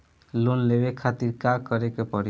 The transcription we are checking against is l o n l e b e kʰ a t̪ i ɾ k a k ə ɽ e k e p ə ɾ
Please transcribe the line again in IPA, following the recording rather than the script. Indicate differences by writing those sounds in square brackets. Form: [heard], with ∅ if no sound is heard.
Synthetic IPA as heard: l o n l e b e kʰ a t̪ i ɾ k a k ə [ɾ] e k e p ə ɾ